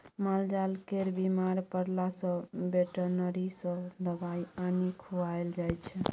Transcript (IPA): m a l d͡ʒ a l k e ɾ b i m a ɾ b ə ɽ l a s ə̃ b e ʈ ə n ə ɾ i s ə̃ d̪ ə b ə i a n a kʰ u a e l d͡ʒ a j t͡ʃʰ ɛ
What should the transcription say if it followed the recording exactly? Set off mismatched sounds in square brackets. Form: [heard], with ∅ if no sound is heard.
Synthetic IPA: m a l d͡ʒ a l k e ɾ b i m a ɾ [p] ə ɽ l a s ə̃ b e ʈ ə n ə ɾ i s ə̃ d̪ ə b [a] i a n [i] kʰ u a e l d͡ʒ a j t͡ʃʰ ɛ

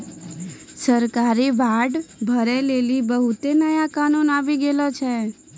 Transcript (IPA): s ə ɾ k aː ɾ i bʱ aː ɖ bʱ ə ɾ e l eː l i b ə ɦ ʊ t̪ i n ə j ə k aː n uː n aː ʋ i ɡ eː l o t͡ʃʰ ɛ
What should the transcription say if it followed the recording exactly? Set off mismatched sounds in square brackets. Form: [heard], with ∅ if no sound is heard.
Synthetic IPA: s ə ɾ k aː ɾ i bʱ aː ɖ bʱ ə ɾ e l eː l i b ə ɦ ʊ t̪ [e] n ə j [a] k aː n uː n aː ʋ i ɡ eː l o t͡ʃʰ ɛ

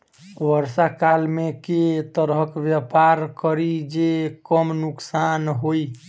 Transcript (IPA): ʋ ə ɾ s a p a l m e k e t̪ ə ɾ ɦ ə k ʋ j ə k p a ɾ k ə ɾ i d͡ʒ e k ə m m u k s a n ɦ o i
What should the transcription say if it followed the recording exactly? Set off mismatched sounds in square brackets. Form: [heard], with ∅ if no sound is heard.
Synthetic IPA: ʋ ə ɾ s a [k] a l m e k e t̪ ə ɾ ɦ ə k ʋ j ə [∅] p a ɾ k ə ɾ i d͡ʒ e k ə m [n] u k s a n ɦ o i

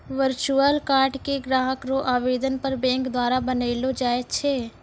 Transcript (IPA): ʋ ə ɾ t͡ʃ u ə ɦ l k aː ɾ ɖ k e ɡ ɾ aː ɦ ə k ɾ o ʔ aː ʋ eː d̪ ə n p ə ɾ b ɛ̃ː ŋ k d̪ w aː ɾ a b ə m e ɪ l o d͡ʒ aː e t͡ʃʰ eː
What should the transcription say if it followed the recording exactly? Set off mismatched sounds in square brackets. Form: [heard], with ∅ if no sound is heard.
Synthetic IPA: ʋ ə ɾ t͡ʃ u ə [∅] l k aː ɾ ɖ k e ɡ ɾ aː ɦ ə k ɾ o ʔ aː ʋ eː d̪ ə n p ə ɾ b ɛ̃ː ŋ k d̪ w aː ɾ a b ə [n] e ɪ l o d͡ʒ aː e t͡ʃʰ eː

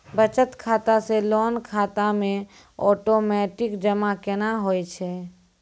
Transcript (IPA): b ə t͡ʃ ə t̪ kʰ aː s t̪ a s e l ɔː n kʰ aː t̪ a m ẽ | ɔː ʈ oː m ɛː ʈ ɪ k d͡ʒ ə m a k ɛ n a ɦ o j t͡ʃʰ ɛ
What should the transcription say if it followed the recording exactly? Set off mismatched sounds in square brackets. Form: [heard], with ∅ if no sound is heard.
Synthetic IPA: b ə t͡ʃ ə t̪ kʰ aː [∅] t̪ a s e l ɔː n kʰ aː t̪ a m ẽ | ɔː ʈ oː m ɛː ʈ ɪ k d͡ʒ ə m a k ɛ n a ɦ o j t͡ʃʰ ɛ

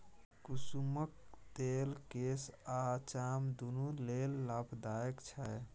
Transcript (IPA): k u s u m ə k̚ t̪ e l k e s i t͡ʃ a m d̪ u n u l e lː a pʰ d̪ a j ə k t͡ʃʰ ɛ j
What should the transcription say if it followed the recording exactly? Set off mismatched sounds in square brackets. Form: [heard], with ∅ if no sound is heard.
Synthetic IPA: k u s u m ə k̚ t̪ e l k e s [a] t͡ʃ a m d̪ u n u l e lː a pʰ d̪ a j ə k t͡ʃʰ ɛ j

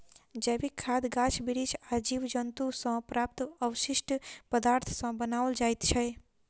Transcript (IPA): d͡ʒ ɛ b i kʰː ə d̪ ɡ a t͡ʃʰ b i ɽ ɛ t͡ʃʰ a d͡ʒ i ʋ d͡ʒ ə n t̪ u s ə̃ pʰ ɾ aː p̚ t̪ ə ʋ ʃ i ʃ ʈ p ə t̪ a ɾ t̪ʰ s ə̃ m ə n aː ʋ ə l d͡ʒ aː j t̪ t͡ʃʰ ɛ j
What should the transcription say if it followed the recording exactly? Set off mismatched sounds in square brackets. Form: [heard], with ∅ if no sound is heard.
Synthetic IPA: d͡ʒ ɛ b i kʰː [a] d̪ ɡ a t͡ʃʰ b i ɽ [i] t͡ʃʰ a d͡ʒ i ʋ d͡ʒ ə n t̪ u s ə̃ [p] ɾ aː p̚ t̪ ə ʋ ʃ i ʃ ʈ p ə [d̪] a ɾ t̪ʰ s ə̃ [b] ə n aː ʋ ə l d͡ʒ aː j t̪ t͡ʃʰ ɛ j

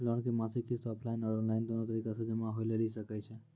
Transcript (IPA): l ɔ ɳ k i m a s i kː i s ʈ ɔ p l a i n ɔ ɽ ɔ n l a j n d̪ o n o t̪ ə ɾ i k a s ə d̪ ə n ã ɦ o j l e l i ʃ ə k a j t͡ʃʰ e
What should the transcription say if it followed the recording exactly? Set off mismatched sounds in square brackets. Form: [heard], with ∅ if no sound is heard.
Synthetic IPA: l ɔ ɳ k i m a s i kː i s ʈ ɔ p l a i n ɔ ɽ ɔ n l a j n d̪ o n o t̪ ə ɾ i k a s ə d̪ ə [m] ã ɦ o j l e l i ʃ ə k a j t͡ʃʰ e

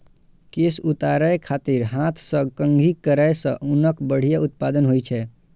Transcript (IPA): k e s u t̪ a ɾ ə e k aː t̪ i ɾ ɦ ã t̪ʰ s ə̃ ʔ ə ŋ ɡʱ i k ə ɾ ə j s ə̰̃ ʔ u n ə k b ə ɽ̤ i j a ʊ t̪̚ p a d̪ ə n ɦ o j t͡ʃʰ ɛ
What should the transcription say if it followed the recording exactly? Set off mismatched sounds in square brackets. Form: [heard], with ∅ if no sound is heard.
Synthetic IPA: k e s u t̪ a ɾ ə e [kʰ] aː t̪ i ɾ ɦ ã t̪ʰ s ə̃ [k] ə ŋ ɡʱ i k ə ɾ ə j s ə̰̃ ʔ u n ə k b ə ɽ̤ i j a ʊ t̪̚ p a d̪ ə n ɦ o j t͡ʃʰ ɛ

